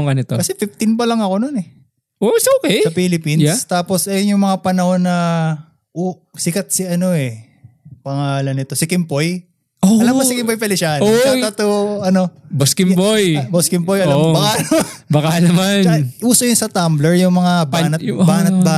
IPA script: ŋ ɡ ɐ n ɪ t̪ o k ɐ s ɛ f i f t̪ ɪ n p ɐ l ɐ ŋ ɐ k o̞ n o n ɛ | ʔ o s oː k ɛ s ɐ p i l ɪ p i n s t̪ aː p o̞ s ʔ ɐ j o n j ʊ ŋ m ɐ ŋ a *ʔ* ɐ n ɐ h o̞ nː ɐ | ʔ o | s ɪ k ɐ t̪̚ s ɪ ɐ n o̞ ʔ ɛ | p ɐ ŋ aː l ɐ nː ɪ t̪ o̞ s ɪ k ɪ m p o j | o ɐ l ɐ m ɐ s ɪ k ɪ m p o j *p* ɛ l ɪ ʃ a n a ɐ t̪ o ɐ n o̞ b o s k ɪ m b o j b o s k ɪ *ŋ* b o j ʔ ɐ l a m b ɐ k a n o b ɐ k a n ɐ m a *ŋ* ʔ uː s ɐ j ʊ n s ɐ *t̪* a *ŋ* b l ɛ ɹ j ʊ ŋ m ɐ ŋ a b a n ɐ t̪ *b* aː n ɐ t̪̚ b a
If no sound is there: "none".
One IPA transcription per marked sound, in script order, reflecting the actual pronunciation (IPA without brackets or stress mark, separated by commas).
p, p, m, n, t̪, m, b